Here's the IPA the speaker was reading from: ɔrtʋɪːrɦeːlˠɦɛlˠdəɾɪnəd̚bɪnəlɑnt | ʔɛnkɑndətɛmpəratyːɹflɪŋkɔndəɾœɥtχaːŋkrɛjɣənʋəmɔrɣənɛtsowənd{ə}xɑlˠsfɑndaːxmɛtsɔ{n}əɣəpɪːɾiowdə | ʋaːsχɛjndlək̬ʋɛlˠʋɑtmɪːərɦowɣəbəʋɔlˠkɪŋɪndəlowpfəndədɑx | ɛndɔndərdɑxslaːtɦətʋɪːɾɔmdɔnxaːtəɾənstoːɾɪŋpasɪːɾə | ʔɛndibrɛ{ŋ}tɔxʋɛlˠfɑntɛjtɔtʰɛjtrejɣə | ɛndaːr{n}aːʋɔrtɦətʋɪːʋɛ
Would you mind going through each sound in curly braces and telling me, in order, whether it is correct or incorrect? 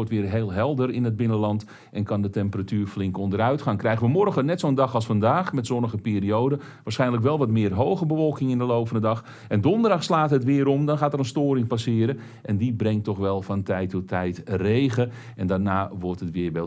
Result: incorrect: ɑ, correct, correct, correct

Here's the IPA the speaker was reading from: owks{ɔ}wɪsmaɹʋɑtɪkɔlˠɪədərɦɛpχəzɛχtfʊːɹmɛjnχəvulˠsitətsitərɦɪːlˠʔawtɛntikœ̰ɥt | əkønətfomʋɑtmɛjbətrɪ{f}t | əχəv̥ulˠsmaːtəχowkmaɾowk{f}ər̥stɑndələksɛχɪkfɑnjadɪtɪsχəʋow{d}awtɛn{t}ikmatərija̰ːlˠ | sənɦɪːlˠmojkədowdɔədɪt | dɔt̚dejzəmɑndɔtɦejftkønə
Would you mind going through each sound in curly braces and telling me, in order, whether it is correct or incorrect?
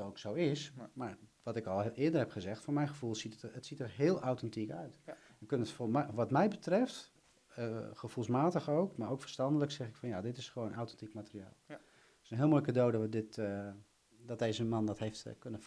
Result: incorrect: o, correct, correct, incorrect: n, correct

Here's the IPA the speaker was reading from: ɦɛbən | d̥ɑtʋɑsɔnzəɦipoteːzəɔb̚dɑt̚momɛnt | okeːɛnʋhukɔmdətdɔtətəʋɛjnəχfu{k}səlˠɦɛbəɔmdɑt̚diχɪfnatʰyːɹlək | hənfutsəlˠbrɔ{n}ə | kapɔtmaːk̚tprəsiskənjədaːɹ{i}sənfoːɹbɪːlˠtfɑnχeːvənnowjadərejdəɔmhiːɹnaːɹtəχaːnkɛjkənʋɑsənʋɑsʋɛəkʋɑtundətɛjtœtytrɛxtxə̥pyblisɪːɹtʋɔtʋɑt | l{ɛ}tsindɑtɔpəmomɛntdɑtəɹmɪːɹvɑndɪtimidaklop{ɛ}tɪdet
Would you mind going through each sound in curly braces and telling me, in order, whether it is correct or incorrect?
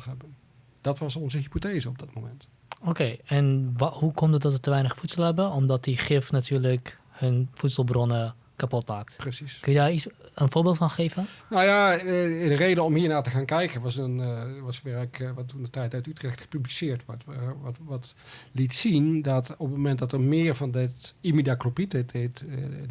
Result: incorrect: t, correct, correct, incorrect: i, incorrect: i

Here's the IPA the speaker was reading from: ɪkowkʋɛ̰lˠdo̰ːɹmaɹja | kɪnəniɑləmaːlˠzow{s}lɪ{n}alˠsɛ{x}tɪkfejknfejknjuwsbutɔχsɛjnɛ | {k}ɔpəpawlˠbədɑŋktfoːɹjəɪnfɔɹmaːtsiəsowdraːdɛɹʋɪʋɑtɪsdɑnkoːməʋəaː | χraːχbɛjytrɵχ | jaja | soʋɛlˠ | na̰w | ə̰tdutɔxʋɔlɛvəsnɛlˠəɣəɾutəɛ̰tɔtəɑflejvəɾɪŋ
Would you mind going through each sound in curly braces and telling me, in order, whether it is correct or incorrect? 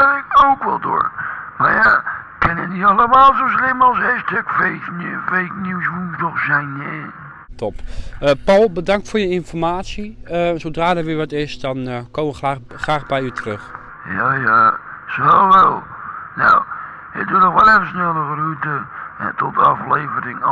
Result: correct, incorrect: m, incorrect: s, incorrect: t

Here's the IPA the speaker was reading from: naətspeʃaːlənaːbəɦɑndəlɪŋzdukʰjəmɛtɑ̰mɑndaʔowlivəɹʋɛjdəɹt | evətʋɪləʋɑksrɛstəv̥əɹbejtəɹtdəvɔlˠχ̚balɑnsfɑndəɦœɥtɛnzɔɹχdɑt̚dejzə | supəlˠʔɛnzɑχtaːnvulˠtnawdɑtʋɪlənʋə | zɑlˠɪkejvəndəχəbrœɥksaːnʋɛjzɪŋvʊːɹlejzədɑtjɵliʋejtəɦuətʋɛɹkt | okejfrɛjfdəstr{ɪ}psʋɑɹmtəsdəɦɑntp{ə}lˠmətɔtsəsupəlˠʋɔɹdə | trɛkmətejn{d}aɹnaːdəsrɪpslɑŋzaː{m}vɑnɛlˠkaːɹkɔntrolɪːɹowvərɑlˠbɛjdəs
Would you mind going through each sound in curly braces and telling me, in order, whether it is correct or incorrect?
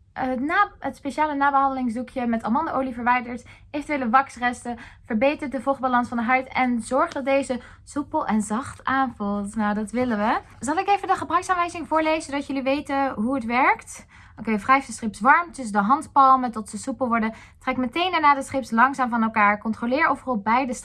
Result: correct, incorrect: ɑ, correct, correct

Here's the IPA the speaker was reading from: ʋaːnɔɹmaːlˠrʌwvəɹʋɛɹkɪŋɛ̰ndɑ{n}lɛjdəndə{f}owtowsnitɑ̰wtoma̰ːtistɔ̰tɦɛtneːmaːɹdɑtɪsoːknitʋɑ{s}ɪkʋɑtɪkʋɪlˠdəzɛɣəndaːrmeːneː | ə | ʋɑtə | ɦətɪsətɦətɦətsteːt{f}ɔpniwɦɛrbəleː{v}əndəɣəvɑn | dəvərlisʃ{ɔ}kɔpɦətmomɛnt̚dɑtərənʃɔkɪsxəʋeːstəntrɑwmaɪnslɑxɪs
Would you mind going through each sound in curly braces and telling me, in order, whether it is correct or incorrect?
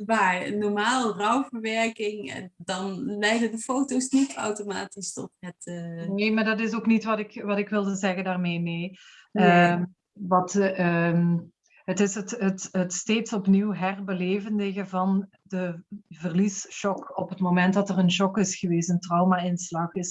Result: correct, correct, incorrect: t, incorrect: s, correct, correct

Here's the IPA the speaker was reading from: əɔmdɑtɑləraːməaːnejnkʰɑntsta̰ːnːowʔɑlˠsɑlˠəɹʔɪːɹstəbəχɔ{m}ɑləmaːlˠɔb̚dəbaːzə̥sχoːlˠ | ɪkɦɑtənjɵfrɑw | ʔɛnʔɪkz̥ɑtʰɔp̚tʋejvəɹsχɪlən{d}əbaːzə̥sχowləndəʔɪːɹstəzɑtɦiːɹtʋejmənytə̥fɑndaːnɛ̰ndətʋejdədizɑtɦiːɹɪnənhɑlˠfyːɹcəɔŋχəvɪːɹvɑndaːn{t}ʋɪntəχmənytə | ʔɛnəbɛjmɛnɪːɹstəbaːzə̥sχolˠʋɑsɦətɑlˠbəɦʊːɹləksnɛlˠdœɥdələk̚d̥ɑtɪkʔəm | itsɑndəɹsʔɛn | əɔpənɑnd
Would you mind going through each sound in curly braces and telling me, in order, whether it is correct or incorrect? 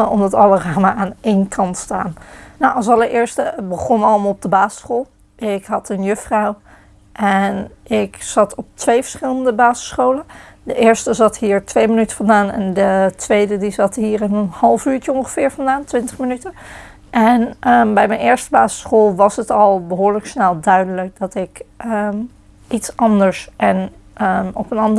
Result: incorrect: n, correct, correct

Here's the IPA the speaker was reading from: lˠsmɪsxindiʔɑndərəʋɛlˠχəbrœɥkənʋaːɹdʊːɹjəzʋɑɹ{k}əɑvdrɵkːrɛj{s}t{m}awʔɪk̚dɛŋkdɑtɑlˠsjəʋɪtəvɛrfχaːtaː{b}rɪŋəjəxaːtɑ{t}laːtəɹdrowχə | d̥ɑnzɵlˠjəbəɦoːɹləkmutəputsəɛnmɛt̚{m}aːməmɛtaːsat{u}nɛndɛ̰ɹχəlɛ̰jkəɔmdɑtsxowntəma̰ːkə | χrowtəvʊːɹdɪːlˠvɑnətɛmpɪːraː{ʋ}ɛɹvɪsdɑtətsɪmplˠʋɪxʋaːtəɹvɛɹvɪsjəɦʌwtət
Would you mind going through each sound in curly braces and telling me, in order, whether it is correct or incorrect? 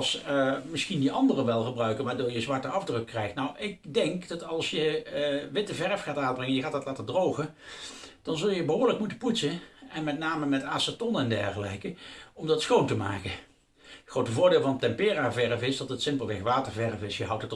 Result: incorrect: t, incorrect: x, incorrect: n, correct, correct, incorrect: n, incorrect: ɔ, incorrect: v

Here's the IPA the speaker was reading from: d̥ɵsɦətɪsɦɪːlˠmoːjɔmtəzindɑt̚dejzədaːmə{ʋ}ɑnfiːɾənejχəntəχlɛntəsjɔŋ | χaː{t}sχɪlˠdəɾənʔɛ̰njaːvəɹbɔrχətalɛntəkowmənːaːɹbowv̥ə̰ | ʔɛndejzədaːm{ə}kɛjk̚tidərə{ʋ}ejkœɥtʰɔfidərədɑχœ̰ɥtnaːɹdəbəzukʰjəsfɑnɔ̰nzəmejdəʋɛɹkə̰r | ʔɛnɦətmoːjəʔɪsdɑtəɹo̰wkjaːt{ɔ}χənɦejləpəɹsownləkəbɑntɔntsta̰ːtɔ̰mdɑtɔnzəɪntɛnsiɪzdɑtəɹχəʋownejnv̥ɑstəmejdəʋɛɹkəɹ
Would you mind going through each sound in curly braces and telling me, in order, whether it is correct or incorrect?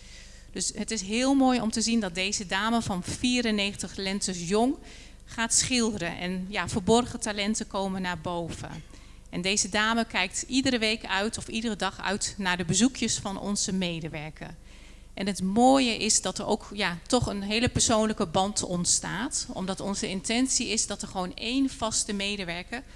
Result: incorrect: v, correct, correct, correct, correct

